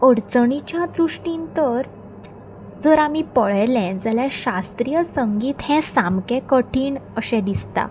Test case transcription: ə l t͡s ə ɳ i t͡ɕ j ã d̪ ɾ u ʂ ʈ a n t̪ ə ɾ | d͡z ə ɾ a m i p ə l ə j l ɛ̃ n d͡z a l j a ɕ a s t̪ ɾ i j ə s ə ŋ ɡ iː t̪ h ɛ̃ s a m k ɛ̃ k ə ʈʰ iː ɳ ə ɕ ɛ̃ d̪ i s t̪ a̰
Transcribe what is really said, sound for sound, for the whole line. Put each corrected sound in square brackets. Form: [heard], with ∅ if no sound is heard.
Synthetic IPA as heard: ə [ɽ] t͡s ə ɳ i t͡ɕ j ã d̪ ɾ u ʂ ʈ [i] n t̪ ə ɾ | d͡z ə ɾ a m i p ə [ɭ] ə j l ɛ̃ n d͡z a l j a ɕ a s t̪ ɾ i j ə s ə ŋ ɡ iː t̪ h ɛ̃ s a m k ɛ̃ k ə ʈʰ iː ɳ ə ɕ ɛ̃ d̪ i s t̪ a̰